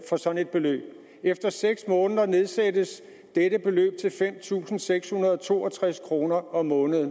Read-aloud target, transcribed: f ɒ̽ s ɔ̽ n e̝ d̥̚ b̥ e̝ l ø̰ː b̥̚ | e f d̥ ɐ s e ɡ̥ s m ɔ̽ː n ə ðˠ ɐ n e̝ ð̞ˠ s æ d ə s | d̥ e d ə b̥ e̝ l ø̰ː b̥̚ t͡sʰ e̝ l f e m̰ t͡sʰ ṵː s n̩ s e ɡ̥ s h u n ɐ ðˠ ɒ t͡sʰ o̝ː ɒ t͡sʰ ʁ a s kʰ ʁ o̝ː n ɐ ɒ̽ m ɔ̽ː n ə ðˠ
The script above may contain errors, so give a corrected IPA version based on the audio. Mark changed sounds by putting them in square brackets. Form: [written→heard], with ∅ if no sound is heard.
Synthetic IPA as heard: f ɒ̽ s [ɔ̽→ɒ̽] n e̝ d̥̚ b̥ e̝ l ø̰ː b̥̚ | e f d̥ ɐ s e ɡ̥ s m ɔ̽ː n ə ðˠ ɐ n e̝ ð̞ˠ s æ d ə s | d̥ e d ə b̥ e̝ l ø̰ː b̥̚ t͡sʰ e̝ l f e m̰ t͡sʰ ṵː s n̩ s e ɡ̥ s h u n ɐ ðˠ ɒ t͡sʰ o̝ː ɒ t͡sʰ ʁ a s kʰ ʁ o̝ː n ɐ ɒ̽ m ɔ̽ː n ə ðˠ